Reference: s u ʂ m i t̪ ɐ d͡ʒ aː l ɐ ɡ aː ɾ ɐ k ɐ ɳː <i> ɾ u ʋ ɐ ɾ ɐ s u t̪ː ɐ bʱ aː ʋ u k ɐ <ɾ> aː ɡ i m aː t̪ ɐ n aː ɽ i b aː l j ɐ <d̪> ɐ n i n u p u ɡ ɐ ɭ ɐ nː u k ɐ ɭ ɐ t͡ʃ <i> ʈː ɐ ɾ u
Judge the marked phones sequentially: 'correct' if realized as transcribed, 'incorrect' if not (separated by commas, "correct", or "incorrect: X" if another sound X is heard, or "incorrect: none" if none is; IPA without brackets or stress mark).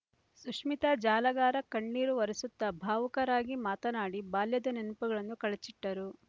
incorrect: iː, correct, correct, correct